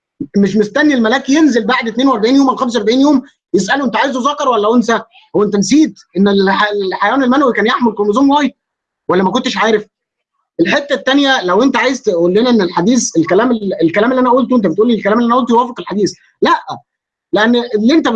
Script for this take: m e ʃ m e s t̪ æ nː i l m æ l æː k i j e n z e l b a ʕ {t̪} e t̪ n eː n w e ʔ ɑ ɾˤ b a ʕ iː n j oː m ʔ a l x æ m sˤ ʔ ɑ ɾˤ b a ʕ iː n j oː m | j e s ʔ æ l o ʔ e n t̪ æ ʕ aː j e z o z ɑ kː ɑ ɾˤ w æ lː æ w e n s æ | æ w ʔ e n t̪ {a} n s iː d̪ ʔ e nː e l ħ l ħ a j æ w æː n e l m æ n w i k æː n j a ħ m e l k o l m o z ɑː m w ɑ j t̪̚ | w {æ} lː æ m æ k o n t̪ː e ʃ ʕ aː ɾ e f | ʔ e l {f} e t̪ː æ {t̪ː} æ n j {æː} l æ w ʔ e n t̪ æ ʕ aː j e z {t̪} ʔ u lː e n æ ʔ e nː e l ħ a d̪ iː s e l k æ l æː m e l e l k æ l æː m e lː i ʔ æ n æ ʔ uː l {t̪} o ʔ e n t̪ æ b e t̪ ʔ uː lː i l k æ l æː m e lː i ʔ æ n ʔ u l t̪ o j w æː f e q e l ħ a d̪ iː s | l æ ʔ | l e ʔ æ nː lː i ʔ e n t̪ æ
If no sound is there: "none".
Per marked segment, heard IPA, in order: d̪, æ, æ, ħ, t̪ː, æ, t̪, t̪

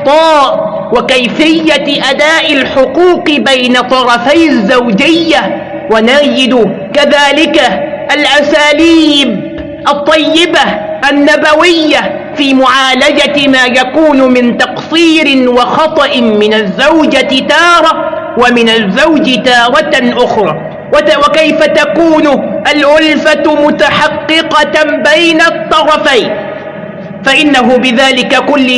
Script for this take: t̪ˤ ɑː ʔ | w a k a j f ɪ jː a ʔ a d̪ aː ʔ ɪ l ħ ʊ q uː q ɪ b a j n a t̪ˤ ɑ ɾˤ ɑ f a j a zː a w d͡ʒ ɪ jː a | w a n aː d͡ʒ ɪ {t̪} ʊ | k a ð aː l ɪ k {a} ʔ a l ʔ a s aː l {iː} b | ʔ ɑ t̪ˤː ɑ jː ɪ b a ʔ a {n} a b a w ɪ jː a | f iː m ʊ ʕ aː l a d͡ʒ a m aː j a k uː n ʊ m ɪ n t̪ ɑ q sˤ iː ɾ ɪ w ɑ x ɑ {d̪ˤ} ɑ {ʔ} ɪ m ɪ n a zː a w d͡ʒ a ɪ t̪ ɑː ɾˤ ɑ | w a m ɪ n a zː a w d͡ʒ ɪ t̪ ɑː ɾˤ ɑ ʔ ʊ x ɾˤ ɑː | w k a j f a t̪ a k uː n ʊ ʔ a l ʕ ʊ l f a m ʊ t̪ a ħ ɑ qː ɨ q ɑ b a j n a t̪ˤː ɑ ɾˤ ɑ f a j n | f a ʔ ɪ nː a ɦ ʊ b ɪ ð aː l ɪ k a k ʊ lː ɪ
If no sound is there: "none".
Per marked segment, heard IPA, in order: d̪, a, iː, nː, t̪ˤ, ʔ

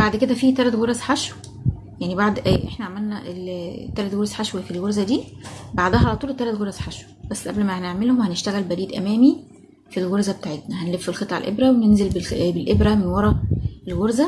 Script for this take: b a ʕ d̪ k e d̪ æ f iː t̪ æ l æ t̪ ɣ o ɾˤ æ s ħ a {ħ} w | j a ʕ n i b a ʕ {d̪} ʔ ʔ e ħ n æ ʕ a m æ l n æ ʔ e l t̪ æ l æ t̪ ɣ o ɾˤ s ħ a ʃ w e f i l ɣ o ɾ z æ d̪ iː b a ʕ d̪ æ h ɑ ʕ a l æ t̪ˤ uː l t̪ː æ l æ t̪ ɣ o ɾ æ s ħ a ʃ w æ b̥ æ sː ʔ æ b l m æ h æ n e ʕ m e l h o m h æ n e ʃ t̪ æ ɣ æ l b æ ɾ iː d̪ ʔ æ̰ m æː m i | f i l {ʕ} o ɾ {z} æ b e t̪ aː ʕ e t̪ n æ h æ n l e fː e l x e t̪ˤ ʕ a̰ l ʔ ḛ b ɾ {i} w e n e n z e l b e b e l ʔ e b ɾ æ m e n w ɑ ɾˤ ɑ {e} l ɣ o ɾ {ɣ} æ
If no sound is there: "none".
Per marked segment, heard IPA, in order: ʃ, d̪, ɣ, z, æ, e, z

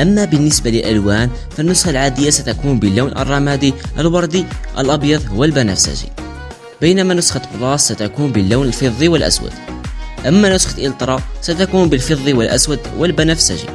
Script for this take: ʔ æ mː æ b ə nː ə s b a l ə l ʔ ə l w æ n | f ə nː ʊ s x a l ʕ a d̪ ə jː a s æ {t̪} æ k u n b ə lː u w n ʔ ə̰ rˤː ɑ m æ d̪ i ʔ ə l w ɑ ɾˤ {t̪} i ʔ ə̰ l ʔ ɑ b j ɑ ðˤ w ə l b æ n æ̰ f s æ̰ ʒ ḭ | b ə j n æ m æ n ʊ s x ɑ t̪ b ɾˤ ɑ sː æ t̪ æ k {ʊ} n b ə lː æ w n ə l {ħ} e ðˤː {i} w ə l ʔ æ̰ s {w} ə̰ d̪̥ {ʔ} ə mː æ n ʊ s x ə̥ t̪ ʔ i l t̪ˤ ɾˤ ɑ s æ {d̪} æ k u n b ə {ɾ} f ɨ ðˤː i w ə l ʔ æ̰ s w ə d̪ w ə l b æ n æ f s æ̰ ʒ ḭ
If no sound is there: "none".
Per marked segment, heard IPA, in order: t̪, d̪, u, f, i, w, ʔ, t̪, l

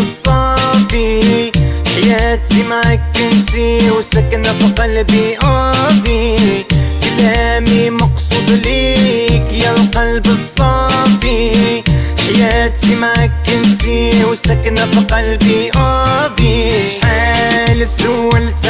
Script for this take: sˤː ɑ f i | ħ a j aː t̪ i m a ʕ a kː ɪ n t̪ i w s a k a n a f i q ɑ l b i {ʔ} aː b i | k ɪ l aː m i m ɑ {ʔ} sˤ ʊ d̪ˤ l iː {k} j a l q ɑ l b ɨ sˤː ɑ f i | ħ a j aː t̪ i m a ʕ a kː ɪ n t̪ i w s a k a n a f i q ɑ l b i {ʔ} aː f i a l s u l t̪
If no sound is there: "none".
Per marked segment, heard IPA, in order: ʔ, q, k, ʔ

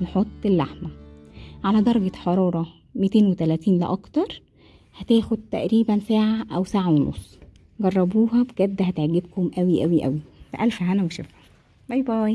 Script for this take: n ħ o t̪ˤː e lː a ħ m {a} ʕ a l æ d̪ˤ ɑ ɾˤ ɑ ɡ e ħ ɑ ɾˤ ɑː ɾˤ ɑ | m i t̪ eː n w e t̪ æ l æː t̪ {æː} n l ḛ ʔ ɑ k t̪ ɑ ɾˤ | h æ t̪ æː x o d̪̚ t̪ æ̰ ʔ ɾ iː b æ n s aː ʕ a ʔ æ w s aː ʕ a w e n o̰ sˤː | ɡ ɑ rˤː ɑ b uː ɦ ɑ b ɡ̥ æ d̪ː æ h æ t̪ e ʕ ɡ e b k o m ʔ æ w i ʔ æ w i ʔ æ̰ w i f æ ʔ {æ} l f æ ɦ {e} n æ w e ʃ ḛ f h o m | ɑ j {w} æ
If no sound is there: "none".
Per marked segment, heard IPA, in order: æ, iː, æ, æ, b

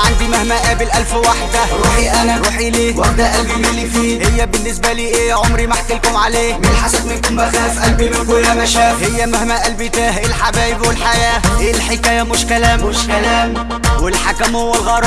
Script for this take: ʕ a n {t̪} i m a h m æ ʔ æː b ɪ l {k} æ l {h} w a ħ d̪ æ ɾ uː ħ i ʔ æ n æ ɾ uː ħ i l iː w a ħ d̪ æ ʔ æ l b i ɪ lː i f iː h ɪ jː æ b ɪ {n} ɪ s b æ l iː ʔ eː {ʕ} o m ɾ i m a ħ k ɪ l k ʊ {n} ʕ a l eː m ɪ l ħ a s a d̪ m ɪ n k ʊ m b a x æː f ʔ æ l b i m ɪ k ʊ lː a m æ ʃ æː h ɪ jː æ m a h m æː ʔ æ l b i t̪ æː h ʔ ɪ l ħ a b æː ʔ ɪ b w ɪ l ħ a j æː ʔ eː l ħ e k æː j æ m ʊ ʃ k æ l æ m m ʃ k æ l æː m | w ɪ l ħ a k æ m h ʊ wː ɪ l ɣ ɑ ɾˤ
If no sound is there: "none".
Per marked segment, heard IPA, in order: d̪, ʔ, f, nː, ʕ, m

